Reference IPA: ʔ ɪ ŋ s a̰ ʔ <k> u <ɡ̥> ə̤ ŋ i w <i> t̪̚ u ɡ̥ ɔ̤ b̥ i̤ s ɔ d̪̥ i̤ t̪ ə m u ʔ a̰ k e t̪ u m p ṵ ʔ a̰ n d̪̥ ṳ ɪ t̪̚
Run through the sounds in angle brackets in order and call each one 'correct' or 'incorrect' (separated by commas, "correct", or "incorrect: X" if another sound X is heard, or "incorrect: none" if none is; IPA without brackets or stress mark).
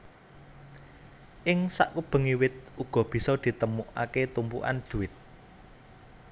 correct, incorrect: b̥, incorrect: ɪ